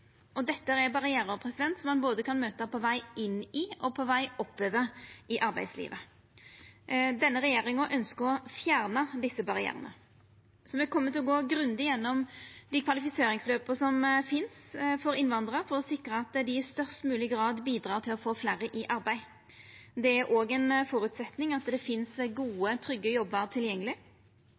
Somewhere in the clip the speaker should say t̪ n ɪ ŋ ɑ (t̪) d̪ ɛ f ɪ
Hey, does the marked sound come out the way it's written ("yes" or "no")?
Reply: yes